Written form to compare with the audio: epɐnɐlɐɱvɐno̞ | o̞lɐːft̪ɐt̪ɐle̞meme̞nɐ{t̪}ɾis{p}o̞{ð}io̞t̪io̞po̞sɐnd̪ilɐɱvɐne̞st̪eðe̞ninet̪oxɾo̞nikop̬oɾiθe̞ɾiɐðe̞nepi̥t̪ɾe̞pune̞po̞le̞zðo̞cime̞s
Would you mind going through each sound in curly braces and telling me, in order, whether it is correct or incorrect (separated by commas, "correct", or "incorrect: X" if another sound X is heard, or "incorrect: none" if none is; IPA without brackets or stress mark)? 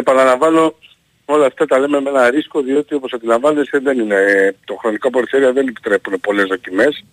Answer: incorrect: none, incorrect: k, correct